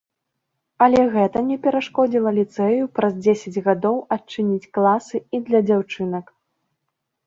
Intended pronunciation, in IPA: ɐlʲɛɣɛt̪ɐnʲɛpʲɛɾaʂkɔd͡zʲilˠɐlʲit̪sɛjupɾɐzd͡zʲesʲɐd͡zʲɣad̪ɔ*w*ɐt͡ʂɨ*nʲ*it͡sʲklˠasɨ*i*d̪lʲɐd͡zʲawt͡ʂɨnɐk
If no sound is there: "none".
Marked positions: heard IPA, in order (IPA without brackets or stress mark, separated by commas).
w, nʲ, i